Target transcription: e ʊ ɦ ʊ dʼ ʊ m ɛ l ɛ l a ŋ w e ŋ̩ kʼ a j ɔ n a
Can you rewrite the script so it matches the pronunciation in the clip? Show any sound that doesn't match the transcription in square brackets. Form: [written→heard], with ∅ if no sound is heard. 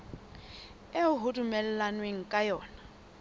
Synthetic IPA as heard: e ʊ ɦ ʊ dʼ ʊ m ɛ l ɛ l a [ŋ→n] w e ŋ̩ kʼ a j [ɔ→ɔː] n a